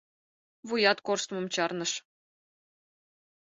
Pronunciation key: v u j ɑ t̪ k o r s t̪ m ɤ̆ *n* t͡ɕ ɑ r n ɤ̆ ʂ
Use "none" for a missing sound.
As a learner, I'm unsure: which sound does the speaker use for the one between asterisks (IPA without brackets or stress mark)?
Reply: m